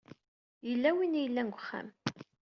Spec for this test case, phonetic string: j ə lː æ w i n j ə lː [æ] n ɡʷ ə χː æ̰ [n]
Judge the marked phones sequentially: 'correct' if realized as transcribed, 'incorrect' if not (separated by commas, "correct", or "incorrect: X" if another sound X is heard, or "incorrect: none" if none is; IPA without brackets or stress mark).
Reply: correct, incorrect: m